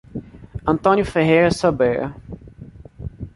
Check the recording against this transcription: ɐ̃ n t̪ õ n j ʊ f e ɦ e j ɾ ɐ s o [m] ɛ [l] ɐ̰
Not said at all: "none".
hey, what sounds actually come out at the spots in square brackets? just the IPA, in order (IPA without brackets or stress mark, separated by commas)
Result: b, ɾ